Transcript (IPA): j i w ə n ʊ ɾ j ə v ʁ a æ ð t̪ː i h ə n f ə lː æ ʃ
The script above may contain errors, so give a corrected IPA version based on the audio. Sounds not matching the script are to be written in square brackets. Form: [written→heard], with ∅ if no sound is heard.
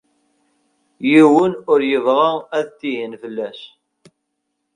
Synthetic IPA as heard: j i w ə n ʊ ɾ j ə v ʁ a æ ð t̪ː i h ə n f ə lː æ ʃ